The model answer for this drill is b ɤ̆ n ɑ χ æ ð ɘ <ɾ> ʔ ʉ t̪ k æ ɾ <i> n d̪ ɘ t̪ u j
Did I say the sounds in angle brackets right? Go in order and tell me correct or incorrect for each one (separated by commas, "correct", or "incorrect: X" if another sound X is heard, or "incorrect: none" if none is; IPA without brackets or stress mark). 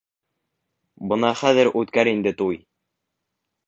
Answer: correct, correct